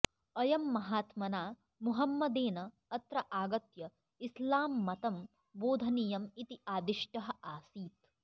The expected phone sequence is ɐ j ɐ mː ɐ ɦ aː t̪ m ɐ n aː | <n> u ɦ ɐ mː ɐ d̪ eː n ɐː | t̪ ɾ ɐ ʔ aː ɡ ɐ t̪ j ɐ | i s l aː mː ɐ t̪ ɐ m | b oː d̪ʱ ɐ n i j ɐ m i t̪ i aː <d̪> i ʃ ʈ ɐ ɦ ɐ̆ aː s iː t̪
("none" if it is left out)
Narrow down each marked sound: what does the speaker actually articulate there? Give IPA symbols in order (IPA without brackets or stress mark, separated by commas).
m, d̪